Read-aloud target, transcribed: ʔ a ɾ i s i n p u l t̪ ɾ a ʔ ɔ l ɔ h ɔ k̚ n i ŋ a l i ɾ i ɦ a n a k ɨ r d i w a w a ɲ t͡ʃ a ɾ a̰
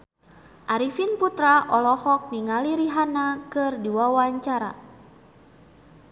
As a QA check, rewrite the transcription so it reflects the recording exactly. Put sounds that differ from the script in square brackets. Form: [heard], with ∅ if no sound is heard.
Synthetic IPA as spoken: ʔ a ɾ i [f] i n p u [∅] t̪ ɾ a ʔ ɔ l ɔ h ɔ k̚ n i ŋ a l i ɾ i ɦ a n a k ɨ r d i w a w a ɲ t͡ʃ a ɾ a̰